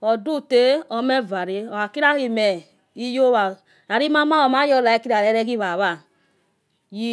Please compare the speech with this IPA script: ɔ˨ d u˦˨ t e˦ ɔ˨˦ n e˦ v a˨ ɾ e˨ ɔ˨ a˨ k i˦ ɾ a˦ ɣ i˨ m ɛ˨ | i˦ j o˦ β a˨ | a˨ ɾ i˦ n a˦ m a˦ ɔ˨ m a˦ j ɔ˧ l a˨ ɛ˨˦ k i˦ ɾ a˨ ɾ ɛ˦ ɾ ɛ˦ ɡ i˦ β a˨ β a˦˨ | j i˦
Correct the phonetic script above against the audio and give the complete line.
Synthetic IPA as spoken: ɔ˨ d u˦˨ t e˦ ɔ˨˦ m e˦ v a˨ ɾ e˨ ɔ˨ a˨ k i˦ ɾ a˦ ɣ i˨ m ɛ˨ | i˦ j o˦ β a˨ | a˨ ɾ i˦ m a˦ m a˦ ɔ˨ m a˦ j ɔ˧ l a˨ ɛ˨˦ k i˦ ɾ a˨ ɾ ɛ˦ ɾ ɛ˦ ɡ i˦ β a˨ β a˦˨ | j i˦